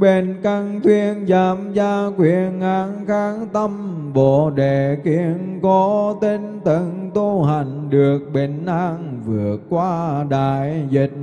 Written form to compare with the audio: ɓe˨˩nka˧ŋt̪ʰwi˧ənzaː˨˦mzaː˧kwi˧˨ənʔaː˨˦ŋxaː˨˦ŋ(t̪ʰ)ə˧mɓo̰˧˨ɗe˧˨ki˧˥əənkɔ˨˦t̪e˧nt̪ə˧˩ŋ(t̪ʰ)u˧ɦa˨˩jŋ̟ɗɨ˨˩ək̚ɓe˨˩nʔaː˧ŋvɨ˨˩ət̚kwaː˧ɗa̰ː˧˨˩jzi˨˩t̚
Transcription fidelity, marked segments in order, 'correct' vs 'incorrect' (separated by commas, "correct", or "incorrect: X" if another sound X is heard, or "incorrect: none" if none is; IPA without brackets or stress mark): incorrect: t̪, incorrect: t̪